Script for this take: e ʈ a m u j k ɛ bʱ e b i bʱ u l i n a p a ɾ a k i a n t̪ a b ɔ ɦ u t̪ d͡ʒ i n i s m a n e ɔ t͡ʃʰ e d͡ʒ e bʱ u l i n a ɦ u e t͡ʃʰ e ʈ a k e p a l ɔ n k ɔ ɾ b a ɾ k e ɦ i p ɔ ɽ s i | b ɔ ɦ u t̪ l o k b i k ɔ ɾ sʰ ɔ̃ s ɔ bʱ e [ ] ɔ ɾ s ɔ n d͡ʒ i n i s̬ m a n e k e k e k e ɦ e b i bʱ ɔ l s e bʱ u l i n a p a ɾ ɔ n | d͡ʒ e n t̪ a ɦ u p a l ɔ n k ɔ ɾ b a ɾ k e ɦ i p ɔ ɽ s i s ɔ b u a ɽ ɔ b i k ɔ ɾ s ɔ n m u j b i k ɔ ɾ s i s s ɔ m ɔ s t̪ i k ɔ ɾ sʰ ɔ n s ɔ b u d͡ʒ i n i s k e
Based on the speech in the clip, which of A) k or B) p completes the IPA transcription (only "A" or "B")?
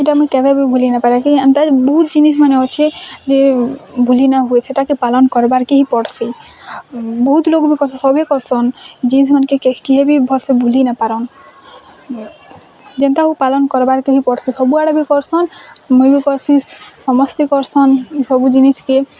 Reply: A